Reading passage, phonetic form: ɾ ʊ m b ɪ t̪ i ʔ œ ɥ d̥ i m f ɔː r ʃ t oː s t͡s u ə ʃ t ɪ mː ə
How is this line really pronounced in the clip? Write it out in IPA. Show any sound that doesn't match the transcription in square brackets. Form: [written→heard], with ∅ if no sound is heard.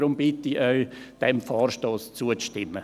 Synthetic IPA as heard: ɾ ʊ m b ɪ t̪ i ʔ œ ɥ d̥ [i→ɛ] m f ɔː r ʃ t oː s t͡s u ə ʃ t ɪ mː ə

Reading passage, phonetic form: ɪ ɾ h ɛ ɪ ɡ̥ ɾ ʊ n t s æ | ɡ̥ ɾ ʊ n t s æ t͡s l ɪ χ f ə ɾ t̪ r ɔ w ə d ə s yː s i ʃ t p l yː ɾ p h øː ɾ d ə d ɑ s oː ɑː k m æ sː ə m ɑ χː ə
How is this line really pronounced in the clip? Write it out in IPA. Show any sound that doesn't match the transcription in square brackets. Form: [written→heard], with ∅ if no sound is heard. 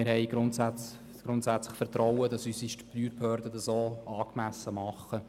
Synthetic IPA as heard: ɪ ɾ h ɛ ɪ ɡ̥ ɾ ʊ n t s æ | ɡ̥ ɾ ʊ n t s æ t͡s l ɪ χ f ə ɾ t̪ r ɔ w ə d [ə→ɑ] s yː s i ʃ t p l yː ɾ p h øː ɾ d ə d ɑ s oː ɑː k m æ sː ə m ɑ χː ə

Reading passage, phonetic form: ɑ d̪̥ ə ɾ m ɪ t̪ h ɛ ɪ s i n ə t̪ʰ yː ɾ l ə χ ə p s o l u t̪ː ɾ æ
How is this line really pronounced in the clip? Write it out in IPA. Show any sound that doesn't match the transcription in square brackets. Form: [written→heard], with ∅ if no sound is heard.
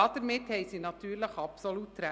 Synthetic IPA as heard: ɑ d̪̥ ə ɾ m ɪ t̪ h ɛ ɪ s i n [ə→ɑ] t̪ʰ yː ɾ l ə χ [ə→ɑ] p s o l u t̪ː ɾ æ

